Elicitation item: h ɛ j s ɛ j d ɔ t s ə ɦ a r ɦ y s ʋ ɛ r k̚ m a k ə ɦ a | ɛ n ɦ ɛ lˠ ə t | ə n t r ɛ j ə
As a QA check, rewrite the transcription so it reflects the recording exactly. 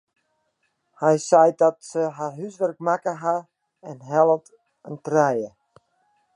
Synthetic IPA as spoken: h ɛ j s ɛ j d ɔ t s ə ɦ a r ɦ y s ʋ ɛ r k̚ m a k ə ɦ a | ɛ n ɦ ɛ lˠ ə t | ə n t r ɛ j ə